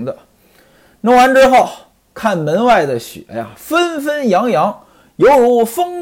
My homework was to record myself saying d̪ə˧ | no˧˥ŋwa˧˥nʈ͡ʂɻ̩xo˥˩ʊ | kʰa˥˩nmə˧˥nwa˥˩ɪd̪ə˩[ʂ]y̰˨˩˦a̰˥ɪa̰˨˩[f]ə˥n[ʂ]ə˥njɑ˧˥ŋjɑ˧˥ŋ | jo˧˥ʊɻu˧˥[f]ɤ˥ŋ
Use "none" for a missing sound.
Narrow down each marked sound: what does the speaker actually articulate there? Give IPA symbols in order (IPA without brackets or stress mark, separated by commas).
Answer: ɕ, f, f, f